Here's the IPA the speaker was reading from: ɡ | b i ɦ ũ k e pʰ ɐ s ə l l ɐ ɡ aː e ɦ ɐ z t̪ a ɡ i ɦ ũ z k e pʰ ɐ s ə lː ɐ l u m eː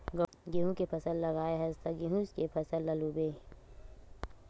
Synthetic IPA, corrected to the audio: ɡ | ɡ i ɦ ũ k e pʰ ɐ s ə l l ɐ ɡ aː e ɦ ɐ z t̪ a ɡ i ɦ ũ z k e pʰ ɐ s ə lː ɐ l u b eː